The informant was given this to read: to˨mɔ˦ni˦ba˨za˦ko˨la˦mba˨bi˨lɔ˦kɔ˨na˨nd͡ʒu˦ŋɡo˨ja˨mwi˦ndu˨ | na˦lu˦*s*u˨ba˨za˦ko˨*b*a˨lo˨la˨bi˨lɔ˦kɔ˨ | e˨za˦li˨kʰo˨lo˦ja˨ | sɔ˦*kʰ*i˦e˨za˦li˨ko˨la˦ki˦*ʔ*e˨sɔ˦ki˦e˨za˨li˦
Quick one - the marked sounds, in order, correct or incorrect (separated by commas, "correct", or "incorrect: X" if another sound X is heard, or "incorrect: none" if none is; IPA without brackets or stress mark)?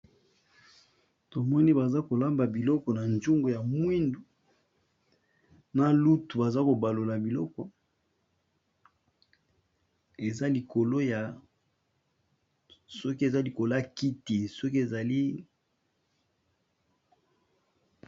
incorrect: t, correct, incorrect: k, incorrect: t